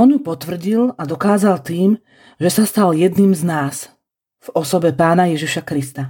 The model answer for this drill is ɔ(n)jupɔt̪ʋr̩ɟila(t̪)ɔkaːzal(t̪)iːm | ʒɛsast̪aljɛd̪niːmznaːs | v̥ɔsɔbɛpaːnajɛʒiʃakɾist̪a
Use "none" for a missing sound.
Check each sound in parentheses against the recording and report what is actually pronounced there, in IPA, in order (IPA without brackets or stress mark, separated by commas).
n, d̪, t̪